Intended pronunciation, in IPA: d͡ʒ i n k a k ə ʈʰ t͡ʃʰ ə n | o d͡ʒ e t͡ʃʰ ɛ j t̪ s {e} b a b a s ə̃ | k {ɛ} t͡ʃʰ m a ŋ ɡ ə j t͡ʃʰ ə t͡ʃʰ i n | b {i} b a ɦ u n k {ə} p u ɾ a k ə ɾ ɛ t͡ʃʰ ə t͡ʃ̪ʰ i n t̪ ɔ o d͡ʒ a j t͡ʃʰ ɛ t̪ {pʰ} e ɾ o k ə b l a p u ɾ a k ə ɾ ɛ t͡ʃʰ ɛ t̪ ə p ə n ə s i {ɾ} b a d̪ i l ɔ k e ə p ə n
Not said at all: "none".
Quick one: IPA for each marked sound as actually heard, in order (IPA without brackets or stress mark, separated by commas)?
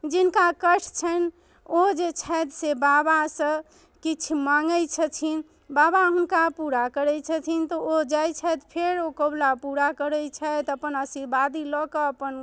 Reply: e, i, a, a, pʰ, ɾ